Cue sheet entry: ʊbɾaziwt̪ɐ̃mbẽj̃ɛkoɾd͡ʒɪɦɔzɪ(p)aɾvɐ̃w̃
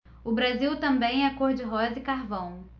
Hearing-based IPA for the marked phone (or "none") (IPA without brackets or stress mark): k